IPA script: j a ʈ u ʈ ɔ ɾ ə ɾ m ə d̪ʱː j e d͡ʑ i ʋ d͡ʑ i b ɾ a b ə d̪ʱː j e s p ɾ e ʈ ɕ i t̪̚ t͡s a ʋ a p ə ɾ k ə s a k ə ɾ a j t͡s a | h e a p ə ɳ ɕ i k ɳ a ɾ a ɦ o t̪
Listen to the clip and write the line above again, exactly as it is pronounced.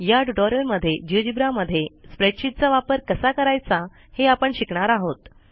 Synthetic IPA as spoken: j a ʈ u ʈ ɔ ɾ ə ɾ m ə d̪ʱː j e d͡ʑ i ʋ d͡ʑ i b ɾ a m ə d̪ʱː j e s p ɾ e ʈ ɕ i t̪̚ t͡s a ʋ a p ə ɾ k ə s a k ə ɾ a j t͡s a | h e a p ə ɳ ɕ i k ɳ a ɾ a ɦ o t̪